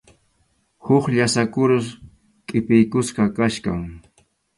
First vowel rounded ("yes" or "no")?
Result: yes